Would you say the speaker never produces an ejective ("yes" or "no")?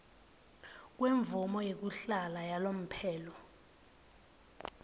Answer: yes